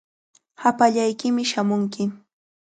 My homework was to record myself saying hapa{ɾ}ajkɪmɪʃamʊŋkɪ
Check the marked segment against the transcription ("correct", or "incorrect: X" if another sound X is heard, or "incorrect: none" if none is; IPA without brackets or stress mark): incorrect: ʎ